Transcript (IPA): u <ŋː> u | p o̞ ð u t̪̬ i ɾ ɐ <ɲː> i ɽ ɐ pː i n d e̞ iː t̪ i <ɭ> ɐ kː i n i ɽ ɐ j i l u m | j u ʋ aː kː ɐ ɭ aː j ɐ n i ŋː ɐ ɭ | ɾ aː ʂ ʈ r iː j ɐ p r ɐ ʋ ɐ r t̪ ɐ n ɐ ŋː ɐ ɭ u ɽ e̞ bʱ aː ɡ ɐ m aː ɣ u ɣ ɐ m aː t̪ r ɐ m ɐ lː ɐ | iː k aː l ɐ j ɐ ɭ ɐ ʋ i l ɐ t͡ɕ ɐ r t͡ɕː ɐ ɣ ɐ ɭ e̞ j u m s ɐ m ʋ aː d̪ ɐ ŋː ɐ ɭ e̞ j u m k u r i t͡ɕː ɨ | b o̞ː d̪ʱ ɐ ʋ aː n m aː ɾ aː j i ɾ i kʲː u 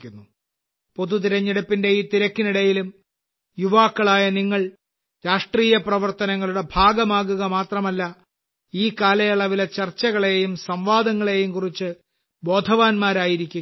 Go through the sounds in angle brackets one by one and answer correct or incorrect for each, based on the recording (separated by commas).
incorrect, correct, incorrect